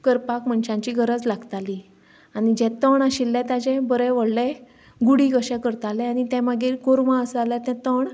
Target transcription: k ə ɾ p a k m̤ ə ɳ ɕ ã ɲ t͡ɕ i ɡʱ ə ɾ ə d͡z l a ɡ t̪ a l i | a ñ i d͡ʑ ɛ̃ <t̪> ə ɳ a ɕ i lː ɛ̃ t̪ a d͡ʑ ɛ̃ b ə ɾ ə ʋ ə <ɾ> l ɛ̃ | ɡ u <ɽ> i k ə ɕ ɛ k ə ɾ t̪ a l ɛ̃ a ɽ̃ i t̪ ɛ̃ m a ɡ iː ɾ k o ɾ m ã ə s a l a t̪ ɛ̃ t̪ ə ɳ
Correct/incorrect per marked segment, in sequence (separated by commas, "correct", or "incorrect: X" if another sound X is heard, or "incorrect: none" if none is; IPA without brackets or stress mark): correct, incorrect: ɽ, correct